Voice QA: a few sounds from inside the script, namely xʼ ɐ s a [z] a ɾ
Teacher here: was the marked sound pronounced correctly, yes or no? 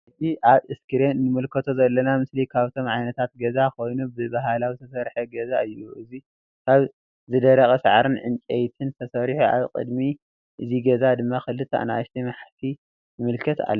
no